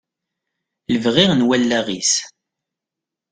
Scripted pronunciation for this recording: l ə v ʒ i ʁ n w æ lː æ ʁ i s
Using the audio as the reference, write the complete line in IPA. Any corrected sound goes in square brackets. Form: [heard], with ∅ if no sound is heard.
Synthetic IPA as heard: l ə v [ʁ] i ʁ n w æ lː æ ʁ i s